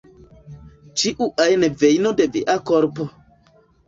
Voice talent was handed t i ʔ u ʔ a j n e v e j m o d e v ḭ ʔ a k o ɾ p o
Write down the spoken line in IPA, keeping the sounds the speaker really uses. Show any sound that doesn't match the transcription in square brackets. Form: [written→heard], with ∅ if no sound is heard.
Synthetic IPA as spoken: [t→t͡ʃ] i ʔ u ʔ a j n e v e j [m→n] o d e v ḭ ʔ a k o ɾ p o